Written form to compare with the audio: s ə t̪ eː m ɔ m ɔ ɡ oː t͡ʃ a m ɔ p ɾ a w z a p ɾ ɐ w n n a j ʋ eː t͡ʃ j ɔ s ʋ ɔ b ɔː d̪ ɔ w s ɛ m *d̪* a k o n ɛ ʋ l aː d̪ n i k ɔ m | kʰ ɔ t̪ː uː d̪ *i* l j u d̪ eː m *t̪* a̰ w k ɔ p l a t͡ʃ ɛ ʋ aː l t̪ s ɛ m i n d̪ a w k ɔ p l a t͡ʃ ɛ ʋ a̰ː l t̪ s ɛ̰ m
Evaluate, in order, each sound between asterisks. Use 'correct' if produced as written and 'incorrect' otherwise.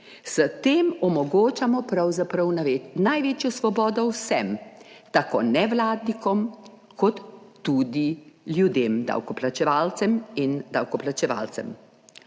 incorrect, correct, incorrect

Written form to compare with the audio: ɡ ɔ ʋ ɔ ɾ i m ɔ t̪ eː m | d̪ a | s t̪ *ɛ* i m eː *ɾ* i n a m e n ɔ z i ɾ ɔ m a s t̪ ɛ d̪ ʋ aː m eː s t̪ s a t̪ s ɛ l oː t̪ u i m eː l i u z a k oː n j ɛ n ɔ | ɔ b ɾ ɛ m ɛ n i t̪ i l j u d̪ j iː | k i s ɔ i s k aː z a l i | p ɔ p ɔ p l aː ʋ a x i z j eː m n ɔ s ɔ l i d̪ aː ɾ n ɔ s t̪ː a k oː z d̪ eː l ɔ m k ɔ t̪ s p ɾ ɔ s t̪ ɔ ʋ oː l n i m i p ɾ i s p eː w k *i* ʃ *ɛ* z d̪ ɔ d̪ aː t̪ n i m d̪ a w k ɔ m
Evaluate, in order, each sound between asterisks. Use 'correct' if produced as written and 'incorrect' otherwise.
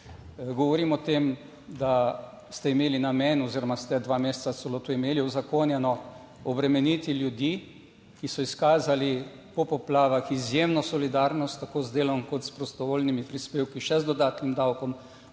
correct, incorrect, correct, correct

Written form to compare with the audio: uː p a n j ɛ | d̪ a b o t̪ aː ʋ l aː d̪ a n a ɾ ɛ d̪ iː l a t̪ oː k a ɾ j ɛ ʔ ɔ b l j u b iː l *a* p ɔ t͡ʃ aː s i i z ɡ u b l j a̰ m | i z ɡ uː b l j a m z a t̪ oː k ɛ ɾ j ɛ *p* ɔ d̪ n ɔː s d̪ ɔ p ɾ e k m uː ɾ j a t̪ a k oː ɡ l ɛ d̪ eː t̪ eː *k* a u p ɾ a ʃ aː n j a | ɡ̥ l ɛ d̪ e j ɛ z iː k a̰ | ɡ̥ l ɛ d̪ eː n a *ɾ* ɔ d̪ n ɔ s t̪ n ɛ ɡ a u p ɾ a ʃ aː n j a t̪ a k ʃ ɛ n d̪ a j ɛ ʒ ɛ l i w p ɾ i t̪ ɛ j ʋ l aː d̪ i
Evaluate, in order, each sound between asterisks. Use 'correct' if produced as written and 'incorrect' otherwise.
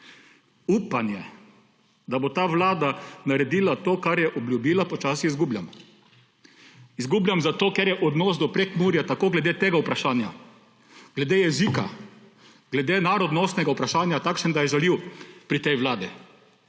correct, incorrect, incorrect, correct

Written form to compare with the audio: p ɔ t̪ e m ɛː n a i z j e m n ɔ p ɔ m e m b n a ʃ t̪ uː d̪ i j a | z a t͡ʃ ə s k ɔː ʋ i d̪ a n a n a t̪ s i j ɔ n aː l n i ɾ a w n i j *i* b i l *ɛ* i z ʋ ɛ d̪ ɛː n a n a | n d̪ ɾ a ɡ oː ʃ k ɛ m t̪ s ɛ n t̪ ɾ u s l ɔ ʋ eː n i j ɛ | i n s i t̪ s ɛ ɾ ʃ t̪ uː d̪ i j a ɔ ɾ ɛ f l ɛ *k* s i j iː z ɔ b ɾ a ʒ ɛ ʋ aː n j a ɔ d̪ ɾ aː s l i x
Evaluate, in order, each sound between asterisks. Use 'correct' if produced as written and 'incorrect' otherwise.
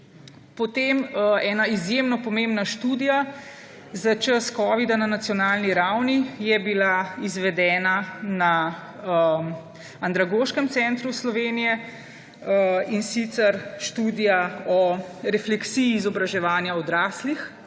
incorrect, incorrect, correct

